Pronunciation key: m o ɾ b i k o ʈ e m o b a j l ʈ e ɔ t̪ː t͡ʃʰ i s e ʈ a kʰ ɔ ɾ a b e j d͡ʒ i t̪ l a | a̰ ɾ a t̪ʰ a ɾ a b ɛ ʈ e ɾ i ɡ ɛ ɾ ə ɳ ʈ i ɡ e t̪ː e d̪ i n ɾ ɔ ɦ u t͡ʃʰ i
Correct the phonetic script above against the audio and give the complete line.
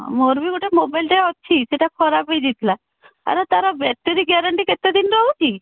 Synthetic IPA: m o ɾ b i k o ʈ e m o b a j l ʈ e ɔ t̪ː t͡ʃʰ i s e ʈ a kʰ ɔ ɾ a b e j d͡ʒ i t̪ l a | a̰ ɾ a t̪ a ɾ a b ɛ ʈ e ɾ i ɡ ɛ ɾ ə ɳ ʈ i k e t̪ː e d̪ i n ɾ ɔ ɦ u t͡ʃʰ i